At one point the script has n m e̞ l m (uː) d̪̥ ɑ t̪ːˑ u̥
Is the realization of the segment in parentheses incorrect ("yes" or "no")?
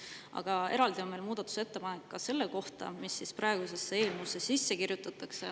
no